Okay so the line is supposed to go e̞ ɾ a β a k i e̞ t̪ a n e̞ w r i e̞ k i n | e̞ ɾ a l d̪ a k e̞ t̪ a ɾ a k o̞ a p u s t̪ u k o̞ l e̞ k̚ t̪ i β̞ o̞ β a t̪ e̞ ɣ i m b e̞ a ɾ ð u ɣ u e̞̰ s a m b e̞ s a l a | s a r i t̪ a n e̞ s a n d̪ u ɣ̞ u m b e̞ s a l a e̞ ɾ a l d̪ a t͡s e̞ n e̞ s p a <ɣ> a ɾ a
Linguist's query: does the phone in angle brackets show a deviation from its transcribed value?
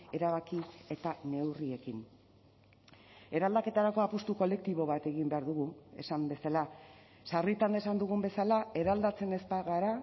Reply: no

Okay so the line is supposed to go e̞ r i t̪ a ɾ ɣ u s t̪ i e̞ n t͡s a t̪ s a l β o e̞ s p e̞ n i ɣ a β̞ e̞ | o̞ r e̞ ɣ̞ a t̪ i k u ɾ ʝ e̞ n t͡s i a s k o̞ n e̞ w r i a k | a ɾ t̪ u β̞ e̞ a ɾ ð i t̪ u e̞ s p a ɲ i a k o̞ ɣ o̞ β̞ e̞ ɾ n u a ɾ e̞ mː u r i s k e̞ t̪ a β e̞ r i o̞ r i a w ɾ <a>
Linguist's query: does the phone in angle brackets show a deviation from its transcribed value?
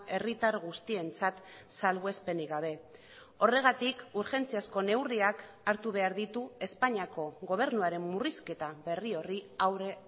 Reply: yes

